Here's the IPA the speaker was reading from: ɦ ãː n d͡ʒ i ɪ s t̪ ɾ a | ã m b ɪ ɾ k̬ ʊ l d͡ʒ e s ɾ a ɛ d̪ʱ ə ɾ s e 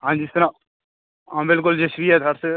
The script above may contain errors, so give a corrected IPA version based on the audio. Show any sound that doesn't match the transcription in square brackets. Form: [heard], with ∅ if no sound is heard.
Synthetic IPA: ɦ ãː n d͡ʒ i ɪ s t̪ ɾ a | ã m b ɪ [l] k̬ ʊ l d͡ʒ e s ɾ [i] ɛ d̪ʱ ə ɾ s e

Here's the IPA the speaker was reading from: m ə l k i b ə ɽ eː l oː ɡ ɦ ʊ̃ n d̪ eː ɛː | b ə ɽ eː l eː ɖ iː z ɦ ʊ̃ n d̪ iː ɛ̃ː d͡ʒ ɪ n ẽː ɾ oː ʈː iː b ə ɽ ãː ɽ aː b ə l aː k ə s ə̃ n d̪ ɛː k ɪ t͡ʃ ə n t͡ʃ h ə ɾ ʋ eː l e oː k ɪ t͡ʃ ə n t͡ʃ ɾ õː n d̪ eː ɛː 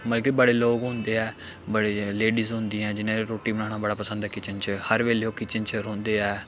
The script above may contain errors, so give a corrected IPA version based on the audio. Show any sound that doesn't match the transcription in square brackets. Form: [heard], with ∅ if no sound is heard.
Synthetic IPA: m ə l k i b ə ɽ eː l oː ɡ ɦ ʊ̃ n d̪ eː ɛː | b ə ɽ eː l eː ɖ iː z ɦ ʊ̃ n d̪ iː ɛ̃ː d͡ʒ ɪ n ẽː ɾ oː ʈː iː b ə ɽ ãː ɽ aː b ə [ɽ] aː [p] ə s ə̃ n d̪ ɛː k ɪ t͡ʃ ə n t͡ʃ h ə ɾ ʋ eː l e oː k ɪ t͡ʃ ə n t͡ʃ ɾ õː n d̪ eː ɛː

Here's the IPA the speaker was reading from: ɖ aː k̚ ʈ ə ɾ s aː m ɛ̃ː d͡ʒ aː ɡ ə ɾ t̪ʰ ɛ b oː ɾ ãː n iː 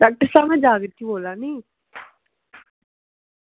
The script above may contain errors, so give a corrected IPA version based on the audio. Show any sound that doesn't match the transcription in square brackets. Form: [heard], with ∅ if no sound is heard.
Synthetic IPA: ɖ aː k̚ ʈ ə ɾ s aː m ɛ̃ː d͡ʒ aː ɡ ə ɾ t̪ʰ [i] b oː [l] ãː n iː

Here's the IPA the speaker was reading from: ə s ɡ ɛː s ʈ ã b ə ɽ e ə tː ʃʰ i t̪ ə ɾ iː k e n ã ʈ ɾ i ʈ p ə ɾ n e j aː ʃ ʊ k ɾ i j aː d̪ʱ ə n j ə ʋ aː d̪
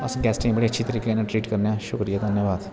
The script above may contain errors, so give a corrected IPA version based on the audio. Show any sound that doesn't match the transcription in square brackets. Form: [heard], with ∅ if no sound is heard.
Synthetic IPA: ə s ɡ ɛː s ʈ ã b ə ɽ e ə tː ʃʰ i t̪ ə ɾ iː k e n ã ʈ ɾ [iː] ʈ [k] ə ɾ n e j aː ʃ ʊ k ɾ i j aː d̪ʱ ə n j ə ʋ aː d̪

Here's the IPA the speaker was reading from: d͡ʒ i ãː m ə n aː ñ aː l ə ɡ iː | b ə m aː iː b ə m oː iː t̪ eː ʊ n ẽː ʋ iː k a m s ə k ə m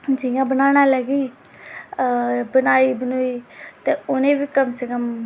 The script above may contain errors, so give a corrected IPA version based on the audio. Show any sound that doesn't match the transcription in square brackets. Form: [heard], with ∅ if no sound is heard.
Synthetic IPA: d͡ʒ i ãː [b] ə n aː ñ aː l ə ɡ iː | b ə [n] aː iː b ə [n] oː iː t̪ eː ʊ n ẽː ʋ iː k [ə] m s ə k ə m

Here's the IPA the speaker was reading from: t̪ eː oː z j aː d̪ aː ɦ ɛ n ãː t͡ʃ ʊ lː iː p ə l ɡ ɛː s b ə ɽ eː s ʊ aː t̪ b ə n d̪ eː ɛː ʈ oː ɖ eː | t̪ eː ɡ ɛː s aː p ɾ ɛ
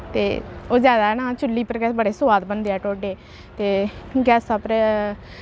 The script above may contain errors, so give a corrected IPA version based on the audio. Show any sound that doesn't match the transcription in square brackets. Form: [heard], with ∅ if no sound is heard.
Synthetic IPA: t̪ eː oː z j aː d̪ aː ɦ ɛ n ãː t͡ʃ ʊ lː iː p ə [ɾ] ɡ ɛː s b ə ɽ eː s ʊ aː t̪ b ə n d̪ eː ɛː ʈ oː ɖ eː | t̪ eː ɡ ɛː s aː p ɾ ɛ

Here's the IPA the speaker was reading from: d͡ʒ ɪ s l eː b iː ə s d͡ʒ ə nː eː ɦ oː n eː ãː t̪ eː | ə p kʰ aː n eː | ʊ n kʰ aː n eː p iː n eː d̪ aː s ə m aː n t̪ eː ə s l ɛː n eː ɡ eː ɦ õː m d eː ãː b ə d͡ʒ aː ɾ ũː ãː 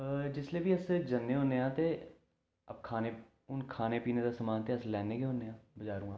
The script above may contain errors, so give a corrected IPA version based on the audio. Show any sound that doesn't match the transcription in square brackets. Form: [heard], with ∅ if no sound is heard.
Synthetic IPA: d͡ʒ ɪ s l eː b iː ə s d͡ʒ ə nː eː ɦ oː n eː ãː t̪ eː | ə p kʰ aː n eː | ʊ n kʰ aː n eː p iː n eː d̪ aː s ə m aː n t̪ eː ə s l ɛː n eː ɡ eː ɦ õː [n] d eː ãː b ə d͡ʒ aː ɾ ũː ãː

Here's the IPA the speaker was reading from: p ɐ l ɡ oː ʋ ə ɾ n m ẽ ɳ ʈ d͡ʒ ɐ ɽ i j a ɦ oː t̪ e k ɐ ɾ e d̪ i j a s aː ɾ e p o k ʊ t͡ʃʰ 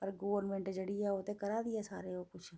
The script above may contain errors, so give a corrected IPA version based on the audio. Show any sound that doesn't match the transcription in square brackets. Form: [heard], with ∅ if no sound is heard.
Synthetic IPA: p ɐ [ɾ] ɡ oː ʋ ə ɾ n m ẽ ɳ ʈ d͡ʒ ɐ ɽ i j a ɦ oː t̪ e k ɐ ɾ [a] d̪ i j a s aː ɾ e [∅] o k ʊ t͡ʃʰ

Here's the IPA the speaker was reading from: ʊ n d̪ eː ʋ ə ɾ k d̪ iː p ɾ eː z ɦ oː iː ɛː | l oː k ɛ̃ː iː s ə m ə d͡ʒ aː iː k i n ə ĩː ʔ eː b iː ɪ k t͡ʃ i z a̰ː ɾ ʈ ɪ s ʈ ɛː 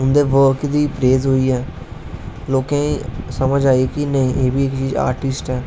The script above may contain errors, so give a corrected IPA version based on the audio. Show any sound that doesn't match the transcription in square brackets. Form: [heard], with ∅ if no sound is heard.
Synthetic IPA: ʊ n d̪ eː ʋ ə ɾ k d̪ iː p ɾ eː z ɦ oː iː ɛː | l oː k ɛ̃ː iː s ə m ə d͡ʒ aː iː k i n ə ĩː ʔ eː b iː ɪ k t͡ʃ [iː] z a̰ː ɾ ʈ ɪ s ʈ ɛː

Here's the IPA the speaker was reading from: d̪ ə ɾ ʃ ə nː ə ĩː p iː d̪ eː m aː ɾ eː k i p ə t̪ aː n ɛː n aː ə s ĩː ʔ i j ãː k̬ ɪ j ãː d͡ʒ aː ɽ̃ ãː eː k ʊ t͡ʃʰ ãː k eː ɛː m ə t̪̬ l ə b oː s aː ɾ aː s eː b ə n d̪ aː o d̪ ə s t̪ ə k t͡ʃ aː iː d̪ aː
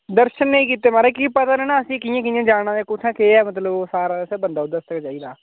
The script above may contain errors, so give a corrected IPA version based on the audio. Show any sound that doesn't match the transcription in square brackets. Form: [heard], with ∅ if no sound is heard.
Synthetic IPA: d̪ ə ɾ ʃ ə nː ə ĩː [k] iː [t̪] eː m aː ɾ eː k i p ə t̪ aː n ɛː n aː ə s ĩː [k] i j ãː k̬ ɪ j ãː d͡ʒ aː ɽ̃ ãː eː k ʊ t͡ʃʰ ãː k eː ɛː m ə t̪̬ l ə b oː s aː ɾ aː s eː b ə n d̪ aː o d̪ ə s t̪ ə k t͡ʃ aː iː d̪ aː

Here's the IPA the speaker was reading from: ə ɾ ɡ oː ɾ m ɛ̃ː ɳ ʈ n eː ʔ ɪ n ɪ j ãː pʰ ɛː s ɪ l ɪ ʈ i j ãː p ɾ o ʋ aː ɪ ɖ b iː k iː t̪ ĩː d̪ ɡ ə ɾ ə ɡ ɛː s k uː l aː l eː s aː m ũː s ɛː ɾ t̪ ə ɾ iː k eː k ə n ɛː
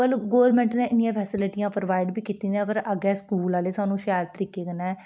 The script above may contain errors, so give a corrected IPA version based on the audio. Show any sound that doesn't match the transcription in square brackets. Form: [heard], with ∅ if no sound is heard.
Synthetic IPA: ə [l] ɡ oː ɾ m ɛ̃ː ɳ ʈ n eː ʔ ɪ n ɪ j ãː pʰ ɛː s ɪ l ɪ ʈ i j ãː p ɾ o ʋ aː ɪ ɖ b iː k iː t̪ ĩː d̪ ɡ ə ɾ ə ɡ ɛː s k uː l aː l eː s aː [n] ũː [ʃ] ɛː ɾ t̪ ə ɾ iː k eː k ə n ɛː

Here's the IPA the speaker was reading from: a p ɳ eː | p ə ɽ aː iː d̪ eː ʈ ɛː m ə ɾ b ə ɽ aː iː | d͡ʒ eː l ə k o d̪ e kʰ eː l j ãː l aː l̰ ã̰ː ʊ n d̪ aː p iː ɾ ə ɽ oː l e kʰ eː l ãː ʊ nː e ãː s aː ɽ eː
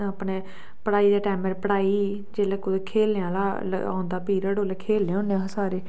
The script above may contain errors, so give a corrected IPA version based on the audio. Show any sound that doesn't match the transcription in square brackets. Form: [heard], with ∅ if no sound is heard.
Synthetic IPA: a p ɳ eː | p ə ɽ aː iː d̪ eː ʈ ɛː m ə ɾ [p] ə ɽ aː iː | d͡ʒ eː l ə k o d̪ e kʰ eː l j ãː l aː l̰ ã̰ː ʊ n d̪ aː p iː ɾ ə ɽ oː l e kʰ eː l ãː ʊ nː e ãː s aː [ɾ] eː

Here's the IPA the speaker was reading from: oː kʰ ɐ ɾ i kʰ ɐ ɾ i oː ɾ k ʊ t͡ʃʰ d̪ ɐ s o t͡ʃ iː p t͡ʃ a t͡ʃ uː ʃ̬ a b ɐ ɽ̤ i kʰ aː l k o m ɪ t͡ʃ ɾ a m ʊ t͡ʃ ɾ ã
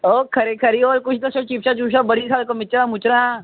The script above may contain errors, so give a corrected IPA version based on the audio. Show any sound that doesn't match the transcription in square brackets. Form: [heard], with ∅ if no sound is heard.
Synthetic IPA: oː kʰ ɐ ɾ [e] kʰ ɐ ɾ i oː ɾ k ʊ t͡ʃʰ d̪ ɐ s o t͡ʃ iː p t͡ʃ a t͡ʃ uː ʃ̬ a b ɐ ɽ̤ i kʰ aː l k o m ɪ t͡ʃ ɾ a m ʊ t͡ʃ ɾ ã

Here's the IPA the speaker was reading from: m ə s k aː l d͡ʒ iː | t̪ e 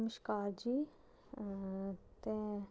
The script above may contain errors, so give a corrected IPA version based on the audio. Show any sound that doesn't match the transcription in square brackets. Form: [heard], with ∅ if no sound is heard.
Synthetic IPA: m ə [ʃ] k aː [ɾ] d͡ʒ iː | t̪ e

